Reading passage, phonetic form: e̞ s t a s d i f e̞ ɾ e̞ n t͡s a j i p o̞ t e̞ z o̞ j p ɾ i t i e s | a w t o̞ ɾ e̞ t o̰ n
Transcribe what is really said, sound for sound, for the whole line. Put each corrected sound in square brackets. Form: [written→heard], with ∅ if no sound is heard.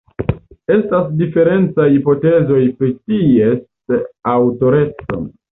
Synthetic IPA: e̞ s t a s d i f e̞ ɾ e̞ n t͡s a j i p o̞ t e̞ z o̞ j p ɾ i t i e s | a w t o̞ ɾ e̞ [t→t͡s] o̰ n

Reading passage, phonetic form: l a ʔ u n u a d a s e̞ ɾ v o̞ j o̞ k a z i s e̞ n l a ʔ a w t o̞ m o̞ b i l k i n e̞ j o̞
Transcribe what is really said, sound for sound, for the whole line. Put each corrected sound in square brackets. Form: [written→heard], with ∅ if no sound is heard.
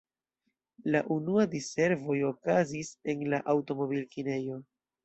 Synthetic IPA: l a ʔ u n u a d [a→i] s e̞ ɾ v o̞ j o̞ k a z i s e̞ n l a ʔ a w t o̞ m o̞ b i l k i n e̞ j o̞

